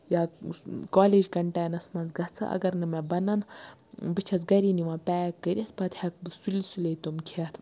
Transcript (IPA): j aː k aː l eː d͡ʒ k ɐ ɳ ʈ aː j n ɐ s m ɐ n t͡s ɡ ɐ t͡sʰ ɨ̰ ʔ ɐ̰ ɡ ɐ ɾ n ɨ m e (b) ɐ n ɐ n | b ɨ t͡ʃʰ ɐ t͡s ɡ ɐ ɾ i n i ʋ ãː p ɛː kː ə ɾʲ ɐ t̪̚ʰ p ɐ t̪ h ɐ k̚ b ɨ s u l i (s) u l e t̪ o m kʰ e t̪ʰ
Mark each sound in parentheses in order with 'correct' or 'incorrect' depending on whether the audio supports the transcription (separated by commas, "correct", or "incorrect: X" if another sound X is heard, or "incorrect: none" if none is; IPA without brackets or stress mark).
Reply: correct, correct